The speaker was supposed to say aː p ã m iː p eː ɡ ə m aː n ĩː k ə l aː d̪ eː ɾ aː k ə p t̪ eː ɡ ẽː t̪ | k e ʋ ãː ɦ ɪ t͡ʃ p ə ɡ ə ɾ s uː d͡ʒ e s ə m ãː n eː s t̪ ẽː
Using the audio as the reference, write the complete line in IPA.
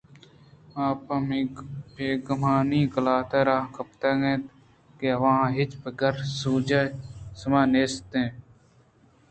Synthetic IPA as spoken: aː p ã m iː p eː ɡ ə m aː n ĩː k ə l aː t̪ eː ɾ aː k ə p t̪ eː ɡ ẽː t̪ | k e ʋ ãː ɦ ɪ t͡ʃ p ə ɡ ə ɾ s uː d͡ʒ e s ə m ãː n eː s t̪ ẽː